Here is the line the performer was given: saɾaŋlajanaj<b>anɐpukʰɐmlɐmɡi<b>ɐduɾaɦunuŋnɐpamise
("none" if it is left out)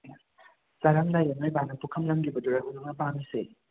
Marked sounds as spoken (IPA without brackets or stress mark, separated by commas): b, b